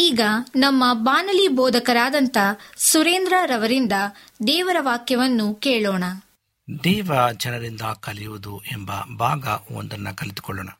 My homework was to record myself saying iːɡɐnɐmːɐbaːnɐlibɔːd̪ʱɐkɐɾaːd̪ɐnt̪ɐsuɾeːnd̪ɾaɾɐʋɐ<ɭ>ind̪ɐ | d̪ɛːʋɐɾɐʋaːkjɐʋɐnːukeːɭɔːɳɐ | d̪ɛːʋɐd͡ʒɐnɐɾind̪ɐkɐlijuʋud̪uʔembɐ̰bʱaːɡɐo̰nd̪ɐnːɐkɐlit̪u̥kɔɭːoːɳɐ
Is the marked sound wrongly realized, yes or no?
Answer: yes